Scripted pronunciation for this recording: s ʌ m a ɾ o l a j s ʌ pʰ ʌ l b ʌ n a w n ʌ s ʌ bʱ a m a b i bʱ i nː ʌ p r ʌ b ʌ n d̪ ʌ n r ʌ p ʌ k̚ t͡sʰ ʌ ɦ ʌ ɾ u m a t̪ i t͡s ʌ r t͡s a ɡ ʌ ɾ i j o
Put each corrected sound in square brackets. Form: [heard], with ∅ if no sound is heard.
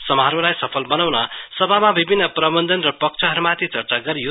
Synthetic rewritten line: s ʌ m a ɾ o l a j s ʌ pʰ ʌ l b ʌ n a w n ʌ s ʌ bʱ a m a b i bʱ i nː ʌ p r ʌ b ʌ n d̪ ʌ n r ʌ p ʌ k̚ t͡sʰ ʌ ɦ ʌ ɾ u m a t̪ i t͡s ʌ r t͡s a ɡ ʌ ɾ i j o

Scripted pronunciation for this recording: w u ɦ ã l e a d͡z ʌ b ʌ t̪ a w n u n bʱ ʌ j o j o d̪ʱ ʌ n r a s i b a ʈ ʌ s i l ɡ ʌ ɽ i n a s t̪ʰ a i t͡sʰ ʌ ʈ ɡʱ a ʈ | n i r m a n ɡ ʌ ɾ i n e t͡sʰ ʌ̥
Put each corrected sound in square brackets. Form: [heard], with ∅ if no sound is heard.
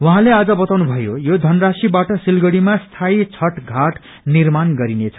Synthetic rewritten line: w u ɦ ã l e a d͡z ʌ b ʌ t̪ a w n u [∅] bʱ ʌ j o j o d̪ʱ ʌ n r a s i b a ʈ ʌ s i l ɡ ʌ ɽ i [m] a s t̪ʰ a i t͡sʰ ʌ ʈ ɡʱ a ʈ | n i r m a n ɡ ʌ ɾ i n e t͡sʰ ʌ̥

